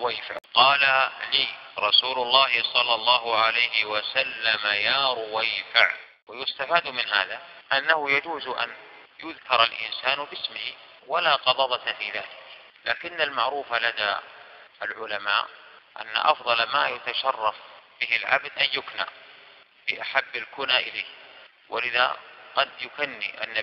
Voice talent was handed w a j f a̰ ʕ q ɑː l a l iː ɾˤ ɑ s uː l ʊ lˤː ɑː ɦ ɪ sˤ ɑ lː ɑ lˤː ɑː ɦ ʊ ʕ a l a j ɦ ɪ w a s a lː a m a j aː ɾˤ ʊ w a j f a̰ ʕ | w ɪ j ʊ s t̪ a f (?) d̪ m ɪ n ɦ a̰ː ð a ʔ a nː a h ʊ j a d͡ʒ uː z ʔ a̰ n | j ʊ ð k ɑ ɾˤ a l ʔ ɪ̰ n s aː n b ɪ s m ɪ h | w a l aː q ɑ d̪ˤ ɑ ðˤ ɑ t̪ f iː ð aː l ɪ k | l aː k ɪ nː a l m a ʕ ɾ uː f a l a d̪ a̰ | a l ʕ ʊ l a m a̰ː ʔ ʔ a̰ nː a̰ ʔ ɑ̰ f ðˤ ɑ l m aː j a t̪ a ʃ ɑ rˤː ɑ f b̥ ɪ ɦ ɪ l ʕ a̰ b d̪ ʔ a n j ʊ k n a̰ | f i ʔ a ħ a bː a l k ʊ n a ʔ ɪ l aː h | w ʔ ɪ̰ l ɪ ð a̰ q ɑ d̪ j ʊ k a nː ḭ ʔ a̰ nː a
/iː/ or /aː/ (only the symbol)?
aː